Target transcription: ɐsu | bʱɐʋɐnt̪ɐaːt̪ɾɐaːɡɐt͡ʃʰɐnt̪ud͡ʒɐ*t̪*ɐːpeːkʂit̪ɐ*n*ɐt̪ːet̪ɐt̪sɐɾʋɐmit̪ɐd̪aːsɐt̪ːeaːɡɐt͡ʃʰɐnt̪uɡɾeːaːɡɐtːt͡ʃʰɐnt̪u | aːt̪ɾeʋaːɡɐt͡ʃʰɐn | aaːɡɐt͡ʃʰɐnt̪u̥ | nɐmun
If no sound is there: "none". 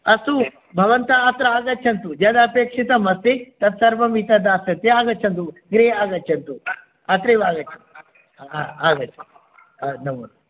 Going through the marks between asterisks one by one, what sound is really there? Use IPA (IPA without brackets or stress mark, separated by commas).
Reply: d̪, m